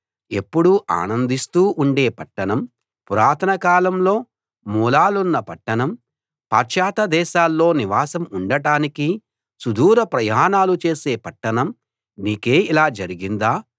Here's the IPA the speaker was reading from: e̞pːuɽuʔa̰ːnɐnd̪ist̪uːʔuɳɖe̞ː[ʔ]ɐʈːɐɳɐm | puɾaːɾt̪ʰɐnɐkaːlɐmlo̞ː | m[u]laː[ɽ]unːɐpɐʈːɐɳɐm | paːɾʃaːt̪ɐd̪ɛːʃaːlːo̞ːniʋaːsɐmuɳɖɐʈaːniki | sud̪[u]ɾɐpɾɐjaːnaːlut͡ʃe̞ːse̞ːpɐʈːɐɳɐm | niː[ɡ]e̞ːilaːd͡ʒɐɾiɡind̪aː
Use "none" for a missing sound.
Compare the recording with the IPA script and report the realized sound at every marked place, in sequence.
p, uː, l, uː, k

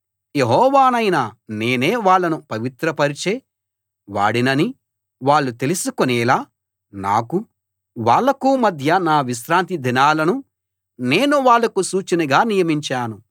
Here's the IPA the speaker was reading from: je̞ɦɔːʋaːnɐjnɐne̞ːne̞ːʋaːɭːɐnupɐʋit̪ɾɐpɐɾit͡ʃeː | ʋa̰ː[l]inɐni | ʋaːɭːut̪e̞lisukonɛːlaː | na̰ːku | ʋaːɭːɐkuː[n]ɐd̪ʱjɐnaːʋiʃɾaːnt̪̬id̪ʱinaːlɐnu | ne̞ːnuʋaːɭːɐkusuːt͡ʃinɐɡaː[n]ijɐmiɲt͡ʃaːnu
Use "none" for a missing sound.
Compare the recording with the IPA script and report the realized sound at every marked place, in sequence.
ɽ, m, n

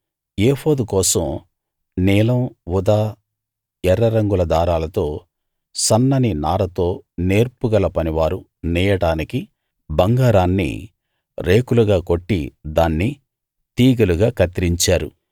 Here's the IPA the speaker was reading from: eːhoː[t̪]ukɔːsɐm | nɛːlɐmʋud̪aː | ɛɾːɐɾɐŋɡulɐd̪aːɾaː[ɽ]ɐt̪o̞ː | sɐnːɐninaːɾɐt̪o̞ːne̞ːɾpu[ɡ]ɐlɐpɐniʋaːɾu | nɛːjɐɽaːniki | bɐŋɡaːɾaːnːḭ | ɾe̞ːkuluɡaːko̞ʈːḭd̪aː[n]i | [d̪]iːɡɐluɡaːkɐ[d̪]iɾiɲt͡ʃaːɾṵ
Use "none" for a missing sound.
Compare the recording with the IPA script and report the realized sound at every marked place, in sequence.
d̪, l, ɡ, nː, t̪, t̪

